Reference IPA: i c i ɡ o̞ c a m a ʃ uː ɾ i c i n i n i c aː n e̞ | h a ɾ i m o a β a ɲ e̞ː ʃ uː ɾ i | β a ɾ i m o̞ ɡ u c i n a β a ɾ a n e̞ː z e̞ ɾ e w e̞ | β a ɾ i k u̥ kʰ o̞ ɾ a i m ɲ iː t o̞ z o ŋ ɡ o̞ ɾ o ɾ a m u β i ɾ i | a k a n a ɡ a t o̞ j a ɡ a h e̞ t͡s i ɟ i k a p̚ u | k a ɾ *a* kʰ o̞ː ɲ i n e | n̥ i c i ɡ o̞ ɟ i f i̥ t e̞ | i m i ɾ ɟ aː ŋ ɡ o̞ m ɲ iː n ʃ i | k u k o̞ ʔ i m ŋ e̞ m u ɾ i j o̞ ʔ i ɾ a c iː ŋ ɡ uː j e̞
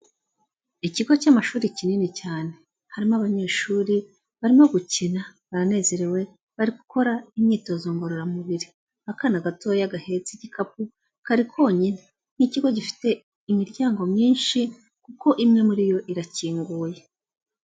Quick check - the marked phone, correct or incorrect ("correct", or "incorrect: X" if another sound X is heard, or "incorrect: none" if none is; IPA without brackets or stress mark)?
incorrect: i